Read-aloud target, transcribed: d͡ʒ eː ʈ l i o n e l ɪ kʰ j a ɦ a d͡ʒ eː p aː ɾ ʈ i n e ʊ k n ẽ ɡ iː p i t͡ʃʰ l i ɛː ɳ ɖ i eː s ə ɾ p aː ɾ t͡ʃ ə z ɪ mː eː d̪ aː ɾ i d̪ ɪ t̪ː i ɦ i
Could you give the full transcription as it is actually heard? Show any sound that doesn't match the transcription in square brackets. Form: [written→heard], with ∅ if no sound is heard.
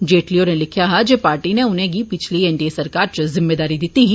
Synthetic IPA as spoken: d͡ʒ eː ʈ l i o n e l ɪ kʰ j a ɦ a d͡ʒ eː p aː ɾ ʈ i n e ʊ [k→∅] n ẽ ɡ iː p [i→ɪ] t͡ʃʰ l i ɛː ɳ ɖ i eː s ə ɾ [p→k] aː ɾ t͡ʃ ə z ɪ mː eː d̪ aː ɾ i d̪ ɪ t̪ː i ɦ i